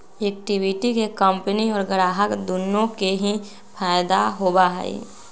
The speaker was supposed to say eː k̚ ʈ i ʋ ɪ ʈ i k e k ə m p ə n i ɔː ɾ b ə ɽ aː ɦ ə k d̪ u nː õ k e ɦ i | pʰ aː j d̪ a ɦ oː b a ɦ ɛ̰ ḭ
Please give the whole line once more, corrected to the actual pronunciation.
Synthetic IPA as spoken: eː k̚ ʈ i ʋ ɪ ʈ i k e k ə m p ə n i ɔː ɾ ɡ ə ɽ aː ɦ ə k d̪ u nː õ k e ɦ i | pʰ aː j d̪ a ɦ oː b a ɦ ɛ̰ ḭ